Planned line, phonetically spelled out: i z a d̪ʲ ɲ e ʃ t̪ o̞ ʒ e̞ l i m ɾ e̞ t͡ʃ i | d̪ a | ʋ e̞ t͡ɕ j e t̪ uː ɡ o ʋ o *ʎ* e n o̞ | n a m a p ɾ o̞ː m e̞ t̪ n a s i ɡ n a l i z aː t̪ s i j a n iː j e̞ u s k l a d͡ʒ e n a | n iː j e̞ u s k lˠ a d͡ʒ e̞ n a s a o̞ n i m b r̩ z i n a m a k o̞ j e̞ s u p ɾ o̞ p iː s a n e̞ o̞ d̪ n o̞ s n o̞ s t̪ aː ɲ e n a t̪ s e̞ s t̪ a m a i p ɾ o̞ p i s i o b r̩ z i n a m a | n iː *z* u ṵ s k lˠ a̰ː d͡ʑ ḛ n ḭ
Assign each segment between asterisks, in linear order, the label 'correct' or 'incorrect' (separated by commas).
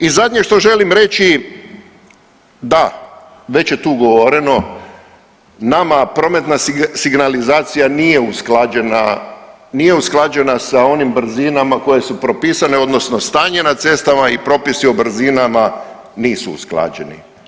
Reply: incorrect, incorrect